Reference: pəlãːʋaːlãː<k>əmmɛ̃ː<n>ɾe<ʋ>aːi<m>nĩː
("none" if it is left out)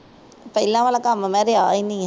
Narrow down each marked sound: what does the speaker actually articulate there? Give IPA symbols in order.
k, none, none, none

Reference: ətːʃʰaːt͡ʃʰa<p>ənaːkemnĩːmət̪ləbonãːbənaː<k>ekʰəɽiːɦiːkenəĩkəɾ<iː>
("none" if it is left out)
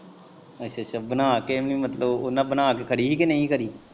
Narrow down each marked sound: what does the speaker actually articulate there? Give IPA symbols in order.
b, k, iː

